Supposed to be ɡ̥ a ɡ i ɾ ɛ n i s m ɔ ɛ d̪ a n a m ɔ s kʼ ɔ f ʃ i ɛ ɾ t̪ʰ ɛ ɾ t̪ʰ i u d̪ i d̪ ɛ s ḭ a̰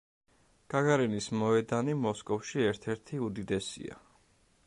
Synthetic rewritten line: ɡ̥ a ɡ a ɾ ɛ n i s m ɔ ɛ d̪ a n i m ɔ s kʼ ɔ f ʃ i ɛ ɾ t̪ʰ ɛ ɾ t̪ʰ i u d̪ i d̪ ɛ s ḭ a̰